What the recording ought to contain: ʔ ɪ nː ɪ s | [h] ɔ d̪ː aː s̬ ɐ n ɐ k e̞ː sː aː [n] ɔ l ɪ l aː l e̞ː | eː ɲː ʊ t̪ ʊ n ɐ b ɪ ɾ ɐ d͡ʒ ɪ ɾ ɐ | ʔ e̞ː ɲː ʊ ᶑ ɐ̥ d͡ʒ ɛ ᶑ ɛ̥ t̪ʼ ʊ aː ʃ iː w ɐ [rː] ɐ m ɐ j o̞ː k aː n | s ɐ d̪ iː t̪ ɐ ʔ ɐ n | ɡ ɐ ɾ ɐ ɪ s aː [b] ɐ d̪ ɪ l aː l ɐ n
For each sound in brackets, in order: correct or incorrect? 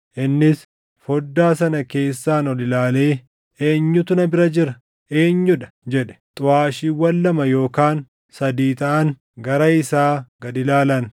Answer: incorrect: f, correct, incorrect: lː, incorrect: ɡ

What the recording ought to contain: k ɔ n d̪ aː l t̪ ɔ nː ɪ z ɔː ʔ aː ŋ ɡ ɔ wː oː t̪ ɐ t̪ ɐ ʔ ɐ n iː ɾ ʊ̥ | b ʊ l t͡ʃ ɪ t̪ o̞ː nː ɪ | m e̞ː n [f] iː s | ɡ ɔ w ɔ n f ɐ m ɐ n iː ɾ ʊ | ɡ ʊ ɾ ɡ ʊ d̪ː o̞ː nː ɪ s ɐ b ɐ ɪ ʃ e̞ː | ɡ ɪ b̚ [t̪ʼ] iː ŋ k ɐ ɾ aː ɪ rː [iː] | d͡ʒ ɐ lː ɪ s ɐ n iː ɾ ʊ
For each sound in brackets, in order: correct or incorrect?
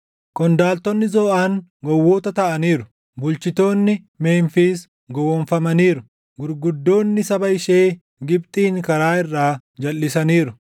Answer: correct, correct, incorrect: aː

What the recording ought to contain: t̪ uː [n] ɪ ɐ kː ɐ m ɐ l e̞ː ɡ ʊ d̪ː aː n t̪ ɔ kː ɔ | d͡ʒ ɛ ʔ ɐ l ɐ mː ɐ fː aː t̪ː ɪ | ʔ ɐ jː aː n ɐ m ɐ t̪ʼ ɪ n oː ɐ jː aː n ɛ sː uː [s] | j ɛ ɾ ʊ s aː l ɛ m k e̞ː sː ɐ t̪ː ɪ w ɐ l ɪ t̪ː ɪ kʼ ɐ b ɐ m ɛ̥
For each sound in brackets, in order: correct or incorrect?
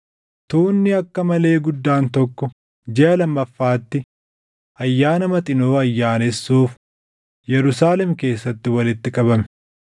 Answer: incorrect: nː, incorrect: f

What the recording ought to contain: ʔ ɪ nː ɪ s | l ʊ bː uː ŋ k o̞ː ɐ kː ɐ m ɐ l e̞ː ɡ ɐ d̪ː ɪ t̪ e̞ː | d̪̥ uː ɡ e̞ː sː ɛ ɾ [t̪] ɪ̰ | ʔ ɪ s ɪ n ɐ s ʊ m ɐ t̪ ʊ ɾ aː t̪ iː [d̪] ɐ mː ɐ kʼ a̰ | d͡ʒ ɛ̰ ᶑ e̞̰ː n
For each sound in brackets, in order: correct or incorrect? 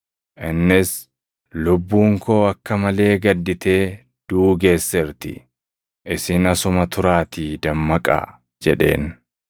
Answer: correct, correct

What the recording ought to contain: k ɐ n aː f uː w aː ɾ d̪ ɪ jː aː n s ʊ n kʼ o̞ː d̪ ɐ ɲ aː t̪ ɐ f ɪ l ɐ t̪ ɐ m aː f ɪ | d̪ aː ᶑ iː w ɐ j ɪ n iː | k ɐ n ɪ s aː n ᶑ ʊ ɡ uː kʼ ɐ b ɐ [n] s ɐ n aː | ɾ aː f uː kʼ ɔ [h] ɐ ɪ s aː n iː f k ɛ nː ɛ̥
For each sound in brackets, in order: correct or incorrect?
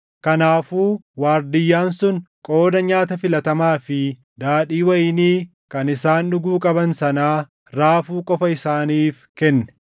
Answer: correct, incorrect: f

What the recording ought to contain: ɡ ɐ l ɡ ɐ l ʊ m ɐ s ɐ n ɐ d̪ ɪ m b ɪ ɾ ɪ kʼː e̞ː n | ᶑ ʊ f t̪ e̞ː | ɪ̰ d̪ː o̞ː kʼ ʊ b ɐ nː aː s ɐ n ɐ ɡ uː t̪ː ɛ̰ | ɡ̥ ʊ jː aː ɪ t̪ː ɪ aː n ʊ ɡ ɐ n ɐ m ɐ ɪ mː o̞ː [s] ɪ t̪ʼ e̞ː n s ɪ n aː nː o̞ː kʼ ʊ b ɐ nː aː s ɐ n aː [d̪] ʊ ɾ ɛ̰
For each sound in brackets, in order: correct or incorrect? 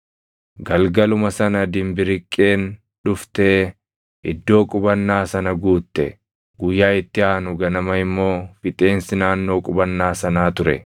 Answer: incorrect: f, incorrect: t̪

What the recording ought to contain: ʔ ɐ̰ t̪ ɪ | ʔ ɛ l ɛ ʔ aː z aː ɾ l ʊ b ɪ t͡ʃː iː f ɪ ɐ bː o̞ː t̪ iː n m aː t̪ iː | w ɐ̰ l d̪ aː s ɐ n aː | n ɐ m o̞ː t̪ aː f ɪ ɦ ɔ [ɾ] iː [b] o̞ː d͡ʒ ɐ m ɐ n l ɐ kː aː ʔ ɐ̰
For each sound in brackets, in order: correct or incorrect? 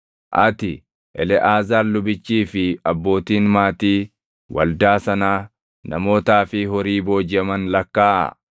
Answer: correct, correct

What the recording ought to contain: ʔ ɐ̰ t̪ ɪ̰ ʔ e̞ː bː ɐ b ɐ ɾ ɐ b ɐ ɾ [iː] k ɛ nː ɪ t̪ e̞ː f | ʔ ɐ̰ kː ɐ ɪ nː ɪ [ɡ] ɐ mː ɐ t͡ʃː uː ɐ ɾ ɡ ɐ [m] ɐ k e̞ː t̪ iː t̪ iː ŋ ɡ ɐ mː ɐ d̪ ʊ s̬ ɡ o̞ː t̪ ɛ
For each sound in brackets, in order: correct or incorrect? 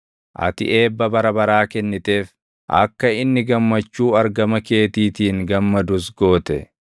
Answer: incorrect: aː, correct, correct

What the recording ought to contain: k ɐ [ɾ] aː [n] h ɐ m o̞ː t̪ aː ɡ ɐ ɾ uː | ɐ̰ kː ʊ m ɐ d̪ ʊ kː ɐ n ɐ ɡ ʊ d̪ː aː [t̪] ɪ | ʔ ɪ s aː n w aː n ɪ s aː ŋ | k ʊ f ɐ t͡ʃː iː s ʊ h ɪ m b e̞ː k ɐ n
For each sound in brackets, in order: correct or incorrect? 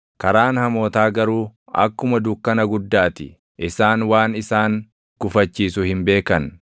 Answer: correct, correct, correct

